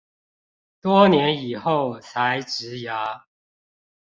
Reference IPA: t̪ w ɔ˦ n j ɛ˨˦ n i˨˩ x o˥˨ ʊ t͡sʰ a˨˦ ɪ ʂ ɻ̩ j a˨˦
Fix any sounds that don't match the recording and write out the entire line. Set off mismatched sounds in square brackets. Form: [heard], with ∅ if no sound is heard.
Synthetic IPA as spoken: t̪ w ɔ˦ n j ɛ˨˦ n i˨˩ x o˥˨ ʊ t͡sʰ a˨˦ ɪ [ʈ͡ʂ] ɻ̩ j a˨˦